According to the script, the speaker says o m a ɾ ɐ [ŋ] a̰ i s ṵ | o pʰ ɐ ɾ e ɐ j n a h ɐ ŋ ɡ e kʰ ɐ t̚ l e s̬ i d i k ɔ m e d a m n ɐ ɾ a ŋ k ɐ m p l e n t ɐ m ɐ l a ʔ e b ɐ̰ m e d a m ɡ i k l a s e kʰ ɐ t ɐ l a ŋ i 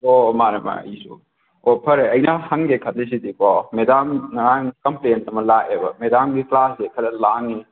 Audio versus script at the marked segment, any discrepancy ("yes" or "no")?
yes